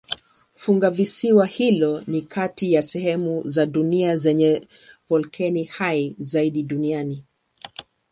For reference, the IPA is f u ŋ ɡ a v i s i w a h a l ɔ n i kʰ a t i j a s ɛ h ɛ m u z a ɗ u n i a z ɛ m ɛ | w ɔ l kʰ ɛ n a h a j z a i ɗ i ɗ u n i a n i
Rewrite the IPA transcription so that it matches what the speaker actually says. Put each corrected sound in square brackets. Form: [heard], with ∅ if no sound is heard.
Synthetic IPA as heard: f u ŋ ɡ a v i s i w a h [i] l ɔ n i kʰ a t i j a s ɛ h ɛ m u z a ɗ u n i a z ɛ [ɲ] ɛ | [v] ɔ l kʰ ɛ n [i] h a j z a i ɗ i ɗ u n i a n i